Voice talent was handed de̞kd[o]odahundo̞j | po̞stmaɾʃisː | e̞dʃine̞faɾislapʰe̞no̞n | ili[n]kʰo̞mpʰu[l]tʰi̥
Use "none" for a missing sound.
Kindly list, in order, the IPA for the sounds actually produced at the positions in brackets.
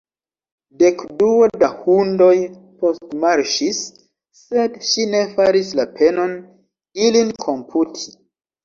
u, n, none

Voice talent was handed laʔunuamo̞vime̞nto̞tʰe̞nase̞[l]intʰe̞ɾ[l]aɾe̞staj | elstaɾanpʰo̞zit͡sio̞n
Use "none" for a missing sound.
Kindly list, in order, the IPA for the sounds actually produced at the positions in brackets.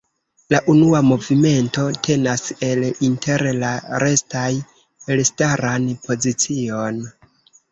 l, l

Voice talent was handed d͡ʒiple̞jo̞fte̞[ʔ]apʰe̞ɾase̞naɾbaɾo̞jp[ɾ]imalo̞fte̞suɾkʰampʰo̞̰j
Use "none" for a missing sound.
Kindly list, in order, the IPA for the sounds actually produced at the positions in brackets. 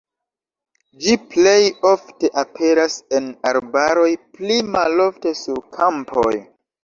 ʔ, l

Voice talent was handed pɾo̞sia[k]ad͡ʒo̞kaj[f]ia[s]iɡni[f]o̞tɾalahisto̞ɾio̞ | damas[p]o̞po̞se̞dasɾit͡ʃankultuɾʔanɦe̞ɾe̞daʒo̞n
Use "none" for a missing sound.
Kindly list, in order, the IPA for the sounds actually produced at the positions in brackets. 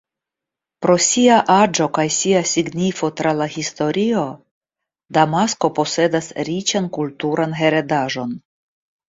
ʔ, s, s, f, k

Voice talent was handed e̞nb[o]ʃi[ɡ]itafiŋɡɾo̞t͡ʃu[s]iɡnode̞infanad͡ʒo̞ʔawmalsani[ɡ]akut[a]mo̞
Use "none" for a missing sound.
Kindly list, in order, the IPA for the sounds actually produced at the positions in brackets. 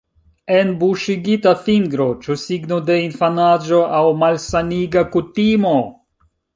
u, ɡ, s, ɡ, i

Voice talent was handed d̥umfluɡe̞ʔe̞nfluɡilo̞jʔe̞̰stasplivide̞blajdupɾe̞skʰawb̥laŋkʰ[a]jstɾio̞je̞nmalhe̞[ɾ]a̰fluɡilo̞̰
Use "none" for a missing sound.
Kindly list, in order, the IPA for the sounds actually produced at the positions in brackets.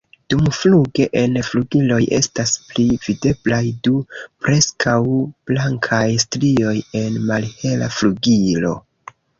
a, l

